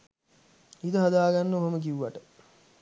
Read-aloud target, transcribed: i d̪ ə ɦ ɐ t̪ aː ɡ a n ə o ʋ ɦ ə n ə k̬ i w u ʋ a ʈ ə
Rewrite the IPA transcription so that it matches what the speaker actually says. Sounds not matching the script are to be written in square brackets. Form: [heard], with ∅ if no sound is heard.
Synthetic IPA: i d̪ ə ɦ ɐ [d̪] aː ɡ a [nː] ə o [∅] ɦ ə [m] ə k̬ i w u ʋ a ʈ ə